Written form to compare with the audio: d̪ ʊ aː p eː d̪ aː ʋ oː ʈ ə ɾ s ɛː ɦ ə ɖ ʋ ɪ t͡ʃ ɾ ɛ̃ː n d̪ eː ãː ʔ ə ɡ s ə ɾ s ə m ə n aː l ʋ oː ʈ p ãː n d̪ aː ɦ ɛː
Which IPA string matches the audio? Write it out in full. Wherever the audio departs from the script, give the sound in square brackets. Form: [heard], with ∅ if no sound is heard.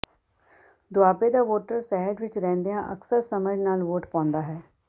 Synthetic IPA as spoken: d̪ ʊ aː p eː d̪ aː ʋ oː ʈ ə ɾ s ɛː ɦ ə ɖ ʋ ɪ t͡ʃ ɾ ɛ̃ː n d̪ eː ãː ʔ ə [k] s ə ɾ s ə m ə n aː l ʋ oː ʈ p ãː n d̪ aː ɦ ɛː